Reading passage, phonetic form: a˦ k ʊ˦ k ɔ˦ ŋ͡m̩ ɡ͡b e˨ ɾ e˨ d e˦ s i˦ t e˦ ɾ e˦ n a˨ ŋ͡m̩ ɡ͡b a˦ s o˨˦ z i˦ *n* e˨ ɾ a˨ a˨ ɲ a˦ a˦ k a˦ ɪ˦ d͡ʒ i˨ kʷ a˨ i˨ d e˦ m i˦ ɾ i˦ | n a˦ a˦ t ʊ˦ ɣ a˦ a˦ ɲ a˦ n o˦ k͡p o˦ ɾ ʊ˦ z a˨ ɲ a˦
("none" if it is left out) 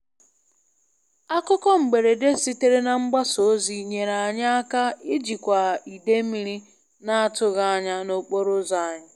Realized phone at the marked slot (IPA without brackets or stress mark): ɲ